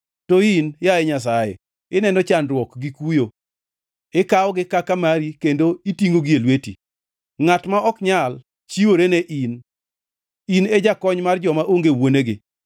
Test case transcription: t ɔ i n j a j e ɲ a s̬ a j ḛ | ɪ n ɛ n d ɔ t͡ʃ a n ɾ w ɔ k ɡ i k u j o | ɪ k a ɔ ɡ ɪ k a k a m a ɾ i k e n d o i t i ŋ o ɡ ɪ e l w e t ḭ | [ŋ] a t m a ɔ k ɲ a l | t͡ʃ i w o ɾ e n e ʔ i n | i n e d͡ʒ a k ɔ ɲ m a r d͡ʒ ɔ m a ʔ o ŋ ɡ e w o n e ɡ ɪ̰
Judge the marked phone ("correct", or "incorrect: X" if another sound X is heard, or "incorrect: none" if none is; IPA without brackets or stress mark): correct